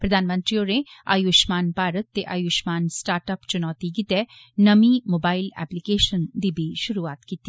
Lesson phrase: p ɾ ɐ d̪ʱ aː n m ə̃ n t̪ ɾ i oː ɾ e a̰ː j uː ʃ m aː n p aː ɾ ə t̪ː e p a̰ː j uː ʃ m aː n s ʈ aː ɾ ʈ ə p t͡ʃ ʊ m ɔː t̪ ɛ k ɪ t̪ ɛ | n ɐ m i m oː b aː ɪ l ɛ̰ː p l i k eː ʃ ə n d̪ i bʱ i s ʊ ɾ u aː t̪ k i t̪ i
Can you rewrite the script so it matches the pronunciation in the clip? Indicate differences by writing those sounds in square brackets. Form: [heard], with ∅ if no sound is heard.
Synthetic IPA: p ɾ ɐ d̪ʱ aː n m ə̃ n t̪ ɾ i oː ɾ e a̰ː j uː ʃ m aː n p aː ɾ ə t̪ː e [ʔ] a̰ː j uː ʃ m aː n s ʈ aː ɾ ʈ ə p t͡ʃ ʊ [n] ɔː t̪ [i] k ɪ t̪ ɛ | n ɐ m i m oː b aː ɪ l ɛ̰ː p l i k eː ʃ ə n d̪ i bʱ i [ʃ] ʊ ɾ u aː t̪ k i t̪ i

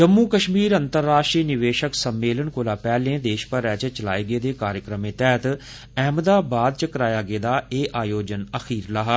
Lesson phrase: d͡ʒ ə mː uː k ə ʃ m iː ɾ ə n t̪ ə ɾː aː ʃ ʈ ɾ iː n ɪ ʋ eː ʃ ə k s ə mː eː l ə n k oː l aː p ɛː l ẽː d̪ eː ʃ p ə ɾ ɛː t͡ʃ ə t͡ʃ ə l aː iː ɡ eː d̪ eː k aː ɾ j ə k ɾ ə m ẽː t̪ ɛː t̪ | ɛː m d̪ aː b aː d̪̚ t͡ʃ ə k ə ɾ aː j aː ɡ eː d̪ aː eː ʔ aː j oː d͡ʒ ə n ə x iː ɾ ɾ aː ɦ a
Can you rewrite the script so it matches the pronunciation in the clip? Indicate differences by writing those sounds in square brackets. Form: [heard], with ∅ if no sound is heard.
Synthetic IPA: d͡ʒ ə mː uː k ə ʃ m iː ɾ ə n t̪ ə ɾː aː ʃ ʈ ɾ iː n ɪ ʋ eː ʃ ə k s ə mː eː l ə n k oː l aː p ɛː l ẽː d̪ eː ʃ p ə ɾ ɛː t͡ʃ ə t͡ʃ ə l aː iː ɡ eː d̪ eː k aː ɾ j ə k ɾ ə m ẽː t̪ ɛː t̪ | ɛː m d̪ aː b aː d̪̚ t͡ʃ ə k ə ɾ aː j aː ɡ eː d̪ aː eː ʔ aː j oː d͡ʒ ə n ə x iː ɾ [l] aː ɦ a

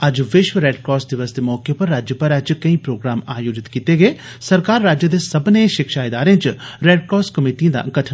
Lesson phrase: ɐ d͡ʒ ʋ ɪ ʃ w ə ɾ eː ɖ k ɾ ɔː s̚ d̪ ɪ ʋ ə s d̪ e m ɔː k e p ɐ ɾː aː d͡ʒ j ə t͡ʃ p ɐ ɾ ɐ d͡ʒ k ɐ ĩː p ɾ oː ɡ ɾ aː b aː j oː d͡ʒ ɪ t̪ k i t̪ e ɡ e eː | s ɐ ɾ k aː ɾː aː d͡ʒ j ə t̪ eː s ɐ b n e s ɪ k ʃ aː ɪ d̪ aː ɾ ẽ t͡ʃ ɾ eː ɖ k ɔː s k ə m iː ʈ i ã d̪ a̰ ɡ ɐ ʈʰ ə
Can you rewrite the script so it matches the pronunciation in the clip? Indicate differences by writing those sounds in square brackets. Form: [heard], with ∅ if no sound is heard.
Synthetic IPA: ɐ d͡ʒ ʋ ɪ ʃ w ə ɾ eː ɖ k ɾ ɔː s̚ d̪ ɪ ʋ ə s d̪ e m ɔː k e p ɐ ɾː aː d͡ʒ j ə [∅] p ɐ ɾ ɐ d͡ʒ k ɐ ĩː p ɾ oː ɡ ɾ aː [m] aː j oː d͡ʒ ɪ t̪ k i t̪ e ɡ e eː | s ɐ ɾ k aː ɾː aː d͡ʒ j ə [d̪] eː s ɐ b n e [ʃ] ɪ k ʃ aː ɪ d̪ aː ɾ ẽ t͡ʃ ɾ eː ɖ k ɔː s k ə m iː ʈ i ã d̪ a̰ ɡ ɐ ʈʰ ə

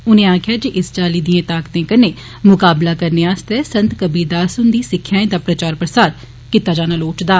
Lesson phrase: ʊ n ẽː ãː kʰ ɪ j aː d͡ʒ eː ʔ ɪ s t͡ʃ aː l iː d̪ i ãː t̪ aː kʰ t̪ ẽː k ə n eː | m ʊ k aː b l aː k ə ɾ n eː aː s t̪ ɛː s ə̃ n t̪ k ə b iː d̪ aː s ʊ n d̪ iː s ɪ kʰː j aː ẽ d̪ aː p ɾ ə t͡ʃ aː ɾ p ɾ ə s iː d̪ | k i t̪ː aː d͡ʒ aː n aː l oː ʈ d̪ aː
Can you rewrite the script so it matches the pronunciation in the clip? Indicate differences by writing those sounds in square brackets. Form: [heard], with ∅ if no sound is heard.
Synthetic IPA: ʊ n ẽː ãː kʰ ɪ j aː d͡ʒ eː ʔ ɪ s t͡ʃ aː l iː d̪ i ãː t̪ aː [k] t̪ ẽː k ə n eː | m ʊ k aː b l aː k ə ɾ n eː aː s t̪ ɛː s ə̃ n t̪ k ə b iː d̪ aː s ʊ n d̪ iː s ɪ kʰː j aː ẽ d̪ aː p ɾ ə t͡ʃ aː ɾ p ɾ ə s [aː] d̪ | k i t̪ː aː d͡ʒ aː n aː l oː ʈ d̪ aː

